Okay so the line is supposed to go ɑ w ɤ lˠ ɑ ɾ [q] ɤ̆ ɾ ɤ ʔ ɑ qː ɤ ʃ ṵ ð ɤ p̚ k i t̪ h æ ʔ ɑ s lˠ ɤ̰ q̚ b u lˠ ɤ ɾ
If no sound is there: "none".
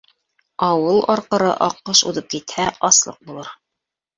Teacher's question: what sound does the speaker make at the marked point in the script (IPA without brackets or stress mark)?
q